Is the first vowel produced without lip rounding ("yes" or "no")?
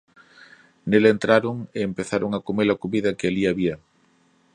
yes